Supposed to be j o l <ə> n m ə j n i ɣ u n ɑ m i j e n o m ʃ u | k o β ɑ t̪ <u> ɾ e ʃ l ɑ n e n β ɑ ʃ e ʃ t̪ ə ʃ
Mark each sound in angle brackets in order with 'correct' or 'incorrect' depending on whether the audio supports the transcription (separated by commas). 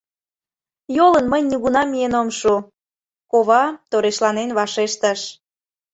correct, incorrect